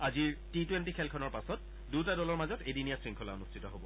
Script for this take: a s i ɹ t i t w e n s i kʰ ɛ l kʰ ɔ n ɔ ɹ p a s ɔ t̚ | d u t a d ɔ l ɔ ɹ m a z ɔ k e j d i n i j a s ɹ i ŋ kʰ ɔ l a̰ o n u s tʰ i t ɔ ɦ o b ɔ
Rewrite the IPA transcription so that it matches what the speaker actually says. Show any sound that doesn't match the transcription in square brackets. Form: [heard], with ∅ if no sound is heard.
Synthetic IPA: a [z] i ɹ t i t w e n [t] i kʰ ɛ l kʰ ɔ n ɔ ɹ p a s ɔ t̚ | d u t a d ɔ l ɔ ɹ m a z ɔ [t] e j d i n i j a s ɹ i ŋ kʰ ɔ l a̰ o n u s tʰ i t ɔ ɦ o b ɔ